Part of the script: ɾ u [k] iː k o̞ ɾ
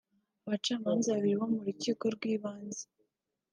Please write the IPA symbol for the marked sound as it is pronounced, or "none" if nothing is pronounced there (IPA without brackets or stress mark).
c